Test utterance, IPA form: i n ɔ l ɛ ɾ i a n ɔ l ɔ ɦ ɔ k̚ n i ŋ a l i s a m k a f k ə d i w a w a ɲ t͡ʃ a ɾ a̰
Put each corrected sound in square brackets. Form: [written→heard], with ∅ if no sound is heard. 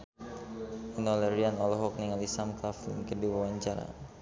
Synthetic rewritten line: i n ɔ l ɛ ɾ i a n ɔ l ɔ ɦ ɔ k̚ n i ŋ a l i s a m k a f k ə d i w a w a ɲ t͡ʃ a ɾ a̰